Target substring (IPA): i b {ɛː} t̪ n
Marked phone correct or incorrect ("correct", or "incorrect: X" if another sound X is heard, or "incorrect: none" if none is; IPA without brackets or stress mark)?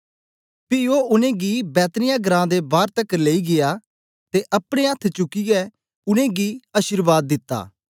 correct